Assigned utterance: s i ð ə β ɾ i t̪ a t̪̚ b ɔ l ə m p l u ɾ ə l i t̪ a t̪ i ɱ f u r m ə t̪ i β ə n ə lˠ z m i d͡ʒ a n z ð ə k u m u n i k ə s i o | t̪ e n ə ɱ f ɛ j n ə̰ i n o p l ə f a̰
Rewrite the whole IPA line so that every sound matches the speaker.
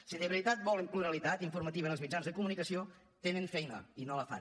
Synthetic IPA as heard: s i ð ə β ɾ i t̪ a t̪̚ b ɔ l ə m p l u ɾ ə l i t̪ a t̪ i ɱ f u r m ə t̪ i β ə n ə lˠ z m i d͡ʒ a n z ð ə k u m u n i k ə s i o | t̪ e n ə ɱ f ɛ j n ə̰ i n o l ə f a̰